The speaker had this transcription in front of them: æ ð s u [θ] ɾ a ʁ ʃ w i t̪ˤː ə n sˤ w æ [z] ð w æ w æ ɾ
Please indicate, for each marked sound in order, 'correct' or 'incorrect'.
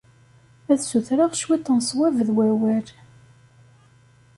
correct, incorrect

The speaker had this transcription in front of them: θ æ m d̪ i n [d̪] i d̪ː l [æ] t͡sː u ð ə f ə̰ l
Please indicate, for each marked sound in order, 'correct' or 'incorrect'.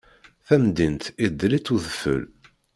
incorrect, incorrect

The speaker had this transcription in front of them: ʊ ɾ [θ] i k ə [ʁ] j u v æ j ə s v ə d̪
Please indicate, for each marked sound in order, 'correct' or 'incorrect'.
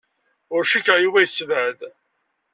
incorrect, correct

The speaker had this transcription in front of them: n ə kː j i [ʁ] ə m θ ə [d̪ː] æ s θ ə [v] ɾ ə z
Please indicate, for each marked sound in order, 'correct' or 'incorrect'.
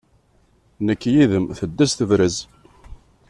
incorrect, correct, correct

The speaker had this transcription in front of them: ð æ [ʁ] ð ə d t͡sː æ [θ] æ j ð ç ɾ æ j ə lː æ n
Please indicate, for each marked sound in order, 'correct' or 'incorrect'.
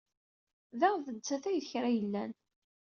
correct, correct

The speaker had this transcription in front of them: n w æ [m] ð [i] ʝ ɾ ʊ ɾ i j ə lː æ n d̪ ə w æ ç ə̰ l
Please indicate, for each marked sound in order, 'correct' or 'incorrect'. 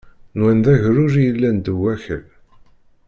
incorrect, incorrect

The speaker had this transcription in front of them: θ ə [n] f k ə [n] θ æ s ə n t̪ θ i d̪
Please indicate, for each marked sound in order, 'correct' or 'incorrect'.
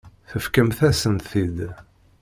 incorrect, incorrect

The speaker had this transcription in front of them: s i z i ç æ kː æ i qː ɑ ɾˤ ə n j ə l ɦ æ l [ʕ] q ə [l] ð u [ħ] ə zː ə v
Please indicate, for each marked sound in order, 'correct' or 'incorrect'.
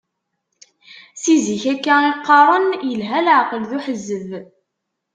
correct, correct, correct

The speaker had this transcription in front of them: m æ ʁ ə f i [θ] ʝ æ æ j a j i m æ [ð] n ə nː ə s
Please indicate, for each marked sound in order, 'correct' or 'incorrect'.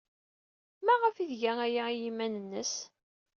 incorrect, incorrect

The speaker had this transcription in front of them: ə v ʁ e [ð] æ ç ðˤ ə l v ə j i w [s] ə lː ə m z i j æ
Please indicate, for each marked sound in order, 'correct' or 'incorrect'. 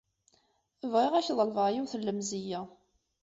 incorrect, incorrect

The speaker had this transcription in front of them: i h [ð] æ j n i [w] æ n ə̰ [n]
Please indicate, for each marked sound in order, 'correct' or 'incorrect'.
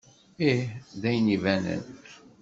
correct, incorrect, correct

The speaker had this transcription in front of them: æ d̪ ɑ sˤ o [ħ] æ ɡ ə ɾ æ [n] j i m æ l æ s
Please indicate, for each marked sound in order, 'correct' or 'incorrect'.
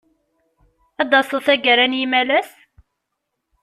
incorrect, correct

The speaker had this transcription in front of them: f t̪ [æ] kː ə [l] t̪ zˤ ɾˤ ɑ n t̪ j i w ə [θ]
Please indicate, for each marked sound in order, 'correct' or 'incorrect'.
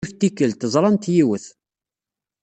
incorrect, correct, correct

